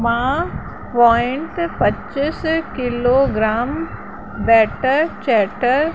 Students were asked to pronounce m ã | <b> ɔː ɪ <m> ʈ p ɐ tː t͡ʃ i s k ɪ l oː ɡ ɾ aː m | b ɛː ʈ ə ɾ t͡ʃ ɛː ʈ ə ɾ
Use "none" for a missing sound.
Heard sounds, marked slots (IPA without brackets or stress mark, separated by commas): p, ɳ